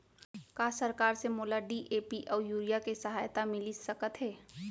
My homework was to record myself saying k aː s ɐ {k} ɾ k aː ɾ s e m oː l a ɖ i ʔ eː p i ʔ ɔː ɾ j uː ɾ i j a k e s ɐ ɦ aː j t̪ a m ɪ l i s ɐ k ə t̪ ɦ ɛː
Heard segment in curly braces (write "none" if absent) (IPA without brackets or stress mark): none